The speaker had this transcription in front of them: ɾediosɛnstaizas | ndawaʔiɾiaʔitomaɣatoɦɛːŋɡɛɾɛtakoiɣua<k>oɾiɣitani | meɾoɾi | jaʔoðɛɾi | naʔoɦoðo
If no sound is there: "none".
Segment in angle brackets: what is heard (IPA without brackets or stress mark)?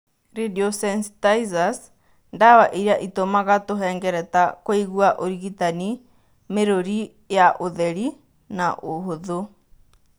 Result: ʔ